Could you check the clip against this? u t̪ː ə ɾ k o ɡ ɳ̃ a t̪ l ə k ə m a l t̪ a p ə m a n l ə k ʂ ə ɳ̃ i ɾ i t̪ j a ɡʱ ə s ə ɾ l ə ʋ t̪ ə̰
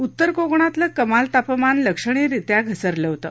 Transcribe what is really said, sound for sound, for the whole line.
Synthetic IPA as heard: u t̪ː ə ɾ k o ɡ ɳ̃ a t̪ l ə k ə m a l t̪ a p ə m a n l ə k ʂ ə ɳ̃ i ɾ i t̪ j a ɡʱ ə s ə ɾ l ə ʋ t̪ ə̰